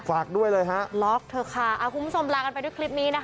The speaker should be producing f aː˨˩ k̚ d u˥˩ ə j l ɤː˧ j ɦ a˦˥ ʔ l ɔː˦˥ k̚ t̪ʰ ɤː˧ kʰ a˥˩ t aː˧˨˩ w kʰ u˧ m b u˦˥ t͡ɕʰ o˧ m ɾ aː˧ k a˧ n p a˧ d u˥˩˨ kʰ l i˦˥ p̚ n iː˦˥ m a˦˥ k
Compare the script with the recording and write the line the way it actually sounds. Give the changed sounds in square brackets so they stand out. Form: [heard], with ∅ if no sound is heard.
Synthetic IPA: f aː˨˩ k̚ d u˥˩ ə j l ɤː˧ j ɦ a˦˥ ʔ l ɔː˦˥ k̚ t̪ʰ ɤː˧ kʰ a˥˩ [ʔ] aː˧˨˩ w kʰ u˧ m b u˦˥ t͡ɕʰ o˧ m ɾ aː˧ k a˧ n p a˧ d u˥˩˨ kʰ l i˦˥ p̚ n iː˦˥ [n] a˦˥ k